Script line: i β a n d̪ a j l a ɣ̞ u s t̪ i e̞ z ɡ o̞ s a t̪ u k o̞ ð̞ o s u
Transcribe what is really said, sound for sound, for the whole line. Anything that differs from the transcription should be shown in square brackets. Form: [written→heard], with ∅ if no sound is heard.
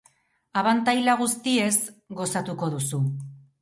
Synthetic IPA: [i→a] β a n [d̪→t̪] a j l a ɣ̞ u s t̪ i e̞ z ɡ o̞ s a t̪ u k o̞ ð̞ [o→u] s u